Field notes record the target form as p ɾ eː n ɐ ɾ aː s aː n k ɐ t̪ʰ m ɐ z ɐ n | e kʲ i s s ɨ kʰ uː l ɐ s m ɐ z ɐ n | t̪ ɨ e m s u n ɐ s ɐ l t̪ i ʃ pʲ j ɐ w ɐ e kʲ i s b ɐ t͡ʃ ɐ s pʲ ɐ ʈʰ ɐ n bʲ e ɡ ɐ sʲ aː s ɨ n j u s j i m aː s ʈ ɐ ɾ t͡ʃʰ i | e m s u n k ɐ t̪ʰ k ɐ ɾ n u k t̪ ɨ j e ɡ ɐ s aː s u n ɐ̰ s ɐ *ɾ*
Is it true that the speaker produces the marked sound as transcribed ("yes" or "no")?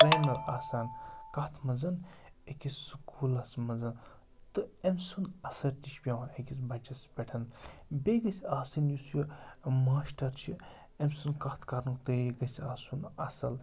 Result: no